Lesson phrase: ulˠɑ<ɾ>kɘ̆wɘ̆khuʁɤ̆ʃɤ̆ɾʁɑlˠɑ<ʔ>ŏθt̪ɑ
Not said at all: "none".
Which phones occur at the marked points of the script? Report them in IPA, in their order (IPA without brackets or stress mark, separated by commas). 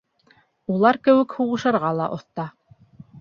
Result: ɾ, ʔ